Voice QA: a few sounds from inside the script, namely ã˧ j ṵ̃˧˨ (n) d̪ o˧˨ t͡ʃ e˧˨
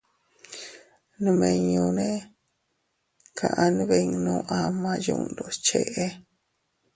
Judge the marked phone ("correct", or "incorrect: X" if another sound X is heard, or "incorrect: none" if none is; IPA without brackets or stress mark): correct